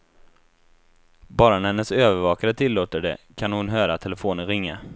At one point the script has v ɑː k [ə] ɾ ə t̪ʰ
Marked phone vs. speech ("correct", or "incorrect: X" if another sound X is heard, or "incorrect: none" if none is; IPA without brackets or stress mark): incorrect: a